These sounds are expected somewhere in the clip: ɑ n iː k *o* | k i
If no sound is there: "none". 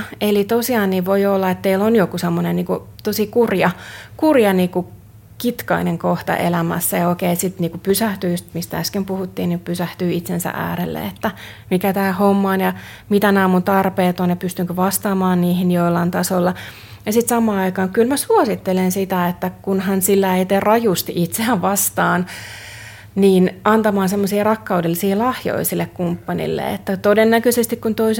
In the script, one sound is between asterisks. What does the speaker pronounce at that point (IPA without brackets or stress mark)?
u